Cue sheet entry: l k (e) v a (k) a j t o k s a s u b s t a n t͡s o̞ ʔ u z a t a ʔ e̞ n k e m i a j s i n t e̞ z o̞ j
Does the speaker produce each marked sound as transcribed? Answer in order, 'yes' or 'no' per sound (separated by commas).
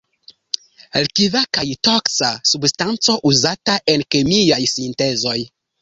no, yes